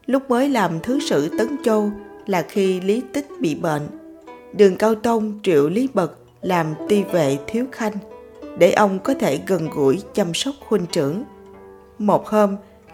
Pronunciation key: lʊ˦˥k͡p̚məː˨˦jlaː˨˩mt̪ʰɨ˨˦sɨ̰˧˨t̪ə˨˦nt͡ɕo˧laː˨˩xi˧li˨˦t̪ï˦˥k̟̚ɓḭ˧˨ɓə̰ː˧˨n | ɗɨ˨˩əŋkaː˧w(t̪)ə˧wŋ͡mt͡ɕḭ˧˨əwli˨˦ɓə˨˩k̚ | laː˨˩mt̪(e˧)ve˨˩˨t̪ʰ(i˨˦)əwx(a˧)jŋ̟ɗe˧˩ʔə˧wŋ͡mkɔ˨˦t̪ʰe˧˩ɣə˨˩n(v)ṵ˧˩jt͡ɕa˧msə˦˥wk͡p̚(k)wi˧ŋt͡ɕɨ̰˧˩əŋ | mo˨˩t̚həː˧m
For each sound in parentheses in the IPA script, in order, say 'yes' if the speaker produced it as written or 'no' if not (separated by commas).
yes, no, yes, yes, no, no